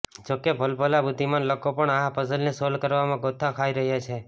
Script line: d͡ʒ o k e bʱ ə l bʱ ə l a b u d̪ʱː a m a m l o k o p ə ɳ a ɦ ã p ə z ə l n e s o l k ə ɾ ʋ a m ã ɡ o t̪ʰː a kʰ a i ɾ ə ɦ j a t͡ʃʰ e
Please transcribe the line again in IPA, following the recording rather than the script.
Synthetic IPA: d͡ʒ o k e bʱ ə l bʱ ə l a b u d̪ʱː i m a n l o k o p ə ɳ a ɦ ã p ə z ə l n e s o l k ə ɾ ʋ a m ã ɡ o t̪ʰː a kʰ a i ɾ ə ɦ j a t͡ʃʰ e